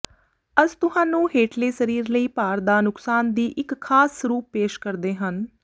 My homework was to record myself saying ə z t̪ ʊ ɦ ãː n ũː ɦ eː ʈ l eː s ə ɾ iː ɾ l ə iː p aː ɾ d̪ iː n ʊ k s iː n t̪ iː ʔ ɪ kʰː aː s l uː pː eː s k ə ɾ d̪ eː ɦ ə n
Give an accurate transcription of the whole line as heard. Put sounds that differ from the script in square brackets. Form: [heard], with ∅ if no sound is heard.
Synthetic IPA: ə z t̪ ʊ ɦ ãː n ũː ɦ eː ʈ l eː s ə ɾ iː ɾ l ə iː p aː ɾ d̪ [aː] n ʊ k s [aː] n [d̪] iː ʔ ɪ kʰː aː s [ɾ] uː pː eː [ʃ] k ə ɾ d̪ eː ɦ ə n